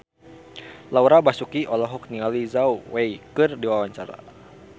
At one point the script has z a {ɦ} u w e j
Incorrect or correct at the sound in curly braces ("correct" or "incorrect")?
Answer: incorrect